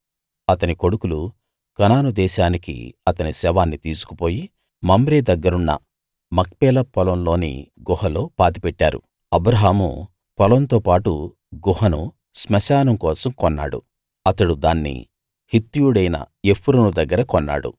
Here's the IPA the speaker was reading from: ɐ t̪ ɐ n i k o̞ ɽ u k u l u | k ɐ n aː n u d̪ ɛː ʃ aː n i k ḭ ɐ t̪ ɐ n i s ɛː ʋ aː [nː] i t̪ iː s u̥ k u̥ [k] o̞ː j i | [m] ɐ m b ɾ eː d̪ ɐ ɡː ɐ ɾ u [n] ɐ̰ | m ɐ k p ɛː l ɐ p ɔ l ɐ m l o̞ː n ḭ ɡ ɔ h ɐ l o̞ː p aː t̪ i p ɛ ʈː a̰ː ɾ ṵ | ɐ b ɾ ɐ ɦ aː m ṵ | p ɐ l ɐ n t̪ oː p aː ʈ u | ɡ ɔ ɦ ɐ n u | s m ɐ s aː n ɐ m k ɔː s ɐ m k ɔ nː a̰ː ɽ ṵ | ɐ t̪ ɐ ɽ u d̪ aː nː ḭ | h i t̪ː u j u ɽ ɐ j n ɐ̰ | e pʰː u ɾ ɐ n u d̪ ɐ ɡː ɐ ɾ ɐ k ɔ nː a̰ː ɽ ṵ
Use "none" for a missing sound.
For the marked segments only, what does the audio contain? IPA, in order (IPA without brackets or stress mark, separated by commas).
nː, p, m, nː